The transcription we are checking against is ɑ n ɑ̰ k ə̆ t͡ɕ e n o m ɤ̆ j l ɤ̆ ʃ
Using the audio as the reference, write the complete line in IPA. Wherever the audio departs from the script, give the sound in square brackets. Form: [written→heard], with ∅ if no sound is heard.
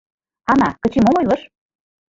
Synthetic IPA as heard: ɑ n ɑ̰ k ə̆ t͡ɕ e [n→m] o m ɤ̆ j l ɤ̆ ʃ

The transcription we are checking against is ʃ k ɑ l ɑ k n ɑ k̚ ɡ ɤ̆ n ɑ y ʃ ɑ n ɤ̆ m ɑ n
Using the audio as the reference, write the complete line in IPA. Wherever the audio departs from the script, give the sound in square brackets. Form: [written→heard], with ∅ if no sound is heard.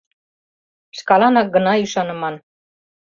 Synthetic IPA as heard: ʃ k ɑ l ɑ [k→∅] n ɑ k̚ ɡ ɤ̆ n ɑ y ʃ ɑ n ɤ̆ m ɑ n

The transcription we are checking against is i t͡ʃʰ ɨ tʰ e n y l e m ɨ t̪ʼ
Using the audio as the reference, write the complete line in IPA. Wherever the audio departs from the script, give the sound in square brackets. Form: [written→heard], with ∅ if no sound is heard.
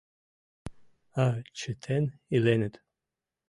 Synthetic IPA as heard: [i→a] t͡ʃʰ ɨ tʰ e n [y→i] l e [m→n] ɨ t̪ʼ

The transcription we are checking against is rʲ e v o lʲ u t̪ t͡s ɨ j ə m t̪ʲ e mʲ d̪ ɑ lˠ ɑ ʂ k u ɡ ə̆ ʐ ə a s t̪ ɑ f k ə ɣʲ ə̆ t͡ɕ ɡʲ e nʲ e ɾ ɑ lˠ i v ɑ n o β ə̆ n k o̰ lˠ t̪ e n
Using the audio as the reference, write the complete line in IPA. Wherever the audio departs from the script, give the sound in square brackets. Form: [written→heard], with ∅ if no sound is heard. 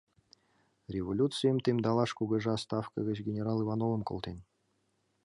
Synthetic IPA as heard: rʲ e v o lʲ u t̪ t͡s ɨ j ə m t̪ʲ e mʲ d̪ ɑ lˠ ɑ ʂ k u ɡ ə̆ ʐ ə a s t̪ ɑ f k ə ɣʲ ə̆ t͡ɕ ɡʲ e nʲ e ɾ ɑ lˠ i v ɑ n o [β→v] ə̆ [n→m] k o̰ lˠ t̪ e n

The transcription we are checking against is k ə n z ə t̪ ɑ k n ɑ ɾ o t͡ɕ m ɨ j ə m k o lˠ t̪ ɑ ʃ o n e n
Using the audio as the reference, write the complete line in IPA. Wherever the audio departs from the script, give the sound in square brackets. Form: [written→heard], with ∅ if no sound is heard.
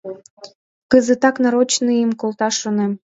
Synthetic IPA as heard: k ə [n→∅] z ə t̪ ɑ k n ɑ ɾ o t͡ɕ [m→n] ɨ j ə m k o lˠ t̪ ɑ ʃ o n e [n→m]

